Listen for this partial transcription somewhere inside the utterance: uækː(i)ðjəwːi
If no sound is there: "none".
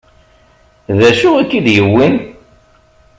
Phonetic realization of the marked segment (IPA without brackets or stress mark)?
i